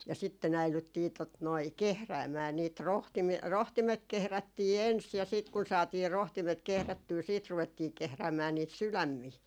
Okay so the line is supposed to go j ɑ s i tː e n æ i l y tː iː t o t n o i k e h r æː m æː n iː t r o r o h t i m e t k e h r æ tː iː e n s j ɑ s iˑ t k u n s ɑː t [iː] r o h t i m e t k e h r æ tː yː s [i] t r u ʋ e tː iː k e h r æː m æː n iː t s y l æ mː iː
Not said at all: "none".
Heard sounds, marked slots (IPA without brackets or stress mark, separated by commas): iː, iː